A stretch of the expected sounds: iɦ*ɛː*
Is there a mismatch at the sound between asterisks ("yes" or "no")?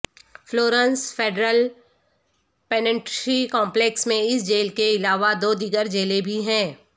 yes